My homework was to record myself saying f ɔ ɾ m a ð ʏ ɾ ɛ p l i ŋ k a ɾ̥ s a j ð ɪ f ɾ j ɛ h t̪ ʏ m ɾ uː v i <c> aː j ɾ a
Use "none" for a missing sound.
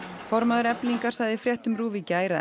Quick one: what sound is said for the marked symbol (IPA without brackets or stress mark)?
c